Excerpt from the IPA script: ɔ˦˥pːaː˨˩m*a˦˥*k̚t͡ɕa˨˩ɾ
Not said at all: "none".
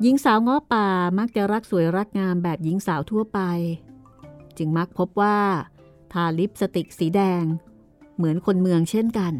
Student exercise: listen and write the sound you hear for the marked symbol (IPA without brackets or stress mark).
a˦˥